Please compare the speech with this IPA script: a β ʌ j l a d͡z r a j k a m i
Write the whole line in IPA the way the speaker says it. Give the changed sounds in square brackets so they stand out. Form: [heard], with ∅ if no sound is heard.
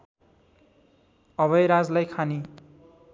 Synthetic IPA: [ʌ] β ʌ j [ɾ] a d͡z [l] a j [kʰ] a [n] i

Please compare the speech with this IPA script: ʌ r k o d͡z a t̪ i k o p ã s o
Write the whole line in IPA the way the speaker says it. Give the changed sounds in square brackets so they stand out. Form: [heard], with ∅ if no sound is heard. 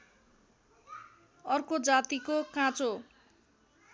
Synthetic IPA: ʌ r k o d͡z a t̪ i k o [k] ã [t͡s] o

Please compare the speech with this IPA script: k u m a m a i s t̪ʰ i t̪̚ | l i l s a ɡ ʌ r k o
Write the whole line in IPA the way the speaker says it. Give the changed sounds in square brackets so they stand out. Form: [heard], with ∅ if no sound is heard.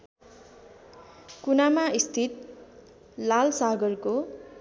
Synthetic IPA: k u [n] a m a i s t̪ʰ i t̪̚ | l [a] l s a ɡ ʌ r k o

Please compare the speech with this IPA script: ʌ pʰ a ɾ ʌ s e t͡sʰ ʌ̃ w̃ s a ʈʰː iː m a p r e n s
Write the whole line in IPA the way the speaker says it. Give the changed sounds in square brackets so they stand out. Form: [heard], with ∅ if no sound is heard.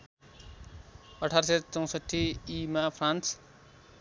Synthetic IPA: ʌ [ʈʰ] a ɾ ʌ s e [t͡s] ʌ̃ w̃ s [ʌ] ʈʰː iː m a [pʰ] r [a] n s

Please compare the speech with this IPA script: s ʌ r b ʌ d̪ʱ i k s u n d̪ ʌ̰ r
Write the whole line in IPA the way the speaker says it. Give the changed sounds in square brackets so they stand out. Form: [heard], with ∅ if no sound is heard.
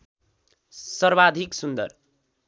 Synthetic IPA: s ʌ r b [a] d̪ʱ i k s u n d̪ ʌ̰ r

